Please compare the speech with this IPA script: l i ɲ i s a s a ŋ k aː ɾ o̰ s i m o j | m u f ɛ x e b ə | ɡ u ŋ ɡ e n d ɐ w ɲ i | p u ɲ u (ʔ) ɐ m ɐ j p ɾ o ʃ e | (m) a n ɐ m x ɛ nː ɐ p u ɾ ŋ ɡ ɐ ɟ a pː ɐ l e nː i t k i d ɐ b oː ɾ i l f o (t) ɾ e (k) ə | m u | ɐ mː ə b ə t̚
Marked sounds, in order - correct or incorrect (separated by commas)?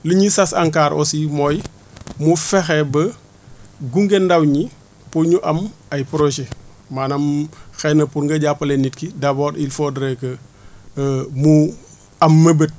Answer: correct, correct, incorrect, correct